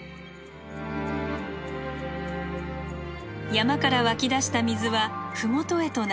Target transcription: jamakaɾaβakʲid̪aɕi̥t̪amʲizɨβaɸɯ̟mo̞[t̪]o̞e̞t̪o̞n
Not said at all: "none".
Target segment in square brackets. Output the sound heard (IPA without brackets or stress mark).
t̪